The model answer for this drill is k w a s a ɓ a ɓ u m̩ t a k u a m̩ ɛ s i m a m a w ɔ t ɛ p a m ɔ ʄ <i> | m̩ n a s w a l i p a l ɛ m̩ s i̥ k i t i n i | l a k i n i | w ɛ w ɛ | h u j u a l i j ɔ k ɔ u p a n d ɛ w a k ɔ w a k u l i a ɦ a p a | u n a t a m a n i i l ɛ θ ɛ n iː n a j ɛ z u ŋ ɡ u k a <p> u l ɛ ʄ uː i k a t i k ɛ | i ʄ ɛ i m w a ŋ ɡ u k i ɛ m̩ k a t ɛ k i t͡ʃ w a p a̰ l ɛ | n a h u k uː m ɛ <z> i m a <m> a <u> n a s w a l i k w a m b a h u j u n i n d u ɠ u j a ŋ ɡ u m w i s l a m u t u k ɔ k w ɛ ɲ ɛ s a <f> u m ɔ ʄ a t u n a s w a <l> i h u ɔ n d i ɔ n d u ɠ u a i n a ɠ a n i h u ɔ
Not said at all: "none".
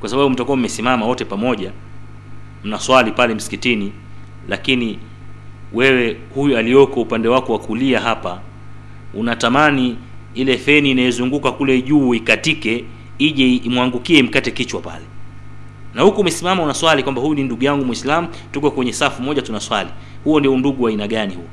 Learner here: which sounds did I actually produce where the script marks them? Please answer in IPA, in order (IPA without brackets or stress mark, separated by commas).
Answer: a, k, s, m, u, f, l